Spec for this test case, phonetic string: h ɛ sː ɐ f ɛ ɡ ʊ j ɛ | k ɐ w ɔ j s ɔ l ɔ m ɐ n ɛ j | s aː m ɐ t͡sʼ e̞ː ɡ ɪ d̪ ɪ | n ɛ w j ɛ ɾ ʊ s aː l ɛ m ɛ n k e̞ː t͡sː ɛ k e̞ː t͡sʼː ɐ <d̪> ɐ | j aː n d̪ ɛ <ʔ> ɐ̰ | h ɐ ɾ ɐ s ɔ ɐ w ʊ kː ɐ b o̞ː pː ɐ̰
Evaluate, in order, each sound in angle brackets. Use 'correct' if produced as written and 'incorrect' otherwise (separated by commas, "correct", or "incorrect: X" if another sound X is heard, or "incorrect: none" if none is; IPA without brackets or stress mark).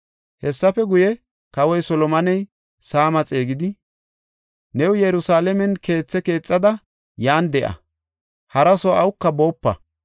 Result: correct, correct